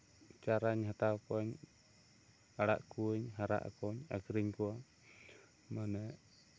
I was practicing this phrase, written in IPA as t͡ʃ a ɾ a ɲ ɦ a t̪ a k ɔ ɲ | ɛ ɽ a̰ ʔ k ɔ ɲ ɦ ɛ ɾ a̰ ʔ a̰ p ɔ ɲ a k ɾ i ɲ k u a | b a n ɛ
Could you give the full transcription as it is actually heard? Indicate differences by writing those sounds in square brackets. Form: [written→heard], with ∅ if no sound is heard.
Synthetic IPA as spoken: t͡ʃ a ɾ a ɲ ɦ a t̪ a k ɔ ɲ | [ɛ→a] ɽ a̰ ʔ k [ɔ→u] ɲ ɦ [ɛ→a] ɾ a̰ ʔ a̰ [p→k] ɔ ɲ a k ɾ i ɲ k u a | [b→m] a n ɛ